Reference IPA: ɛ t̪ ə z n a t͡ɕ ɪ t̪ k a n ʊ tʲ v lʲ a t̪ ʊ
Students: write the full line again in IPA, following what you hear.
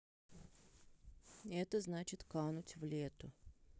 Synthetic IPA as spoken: ɛ t̪ ə z n a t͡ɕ ɪ t̪ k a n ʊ tʲ v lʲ e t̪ ʊ